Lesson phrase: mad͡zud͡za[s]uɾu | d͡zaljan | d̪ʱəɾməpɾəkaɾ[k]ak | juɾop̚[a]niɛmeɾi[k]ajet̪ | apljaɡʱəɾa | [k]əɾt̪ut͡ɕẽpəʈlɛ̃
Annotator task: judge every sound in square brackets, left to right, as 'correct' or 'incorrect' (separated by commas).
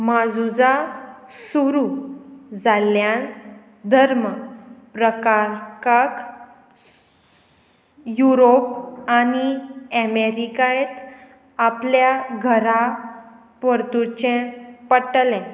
correct, correct, correct, correct, incorrect